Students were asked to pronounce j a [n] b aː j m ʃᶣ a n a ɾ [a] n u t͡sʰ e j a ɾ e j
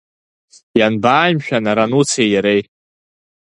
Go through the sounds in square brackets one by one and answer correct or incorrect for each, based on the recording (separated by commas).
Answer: correct, correct